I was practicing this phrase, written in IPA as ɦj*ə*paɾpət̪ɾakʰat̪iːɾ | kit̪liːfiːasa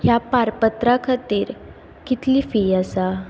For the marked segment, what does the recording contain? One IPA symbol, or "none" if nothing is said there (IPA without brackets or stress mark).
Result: a